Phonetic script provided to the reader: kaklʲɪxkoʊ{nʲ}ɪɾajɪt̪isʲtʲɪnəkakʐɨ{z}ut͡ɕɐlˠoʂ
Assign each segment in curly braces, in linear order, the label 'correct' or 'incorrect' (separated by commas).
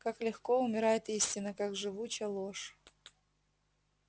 incorrect, incorrect